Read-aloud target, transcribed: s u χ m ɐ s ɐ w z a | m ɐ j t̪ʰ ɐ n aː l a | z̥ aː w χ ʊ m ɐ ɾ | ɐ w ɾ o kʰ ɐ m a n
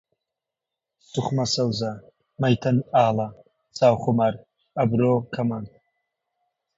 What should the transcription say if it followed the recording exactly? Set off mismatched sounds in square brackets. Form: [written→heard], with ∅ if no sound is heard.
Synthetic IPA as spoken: s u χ m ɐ s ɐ w z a | m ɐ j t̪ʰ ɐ n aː l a | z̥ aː w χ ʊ m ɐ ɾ | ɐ [w→b] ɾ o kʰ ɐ m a n